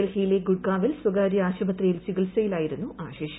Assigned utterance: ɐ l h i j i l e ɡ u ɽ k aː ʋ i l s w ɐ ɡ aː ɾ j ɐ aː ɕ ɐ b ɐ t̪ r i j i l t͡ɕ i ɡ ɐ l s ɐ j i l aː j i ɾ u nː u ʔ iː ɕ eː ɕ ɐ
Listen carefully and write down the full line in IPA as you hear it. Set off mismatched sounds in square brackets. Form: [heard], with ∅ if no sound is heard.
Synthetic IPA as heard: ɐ l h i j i l e ɡ u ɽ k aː ʋ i l s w ɐ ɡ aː ɾ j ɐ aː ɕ ɐ b ɐ t̪ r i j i l t͡ɕ i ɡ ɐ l s ɐ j i l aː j i ɾ u nː u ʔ [aː] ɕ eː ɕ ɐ